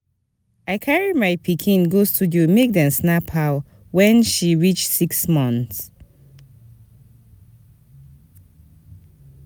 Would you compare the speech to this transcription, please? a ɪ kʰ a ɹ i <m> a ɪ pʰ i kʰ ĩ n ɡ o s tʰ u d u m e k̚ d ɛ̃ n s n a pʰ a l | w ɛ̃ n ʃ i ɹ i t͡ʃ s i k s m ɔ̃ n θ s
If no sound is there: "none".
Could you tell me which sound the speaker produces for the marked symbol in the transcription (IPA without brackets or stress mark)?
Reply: m